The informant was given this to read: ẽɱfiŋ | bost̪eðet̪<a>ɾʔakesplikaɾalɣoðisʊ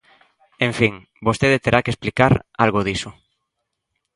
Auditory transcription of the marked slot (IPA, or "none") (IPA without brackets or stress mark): e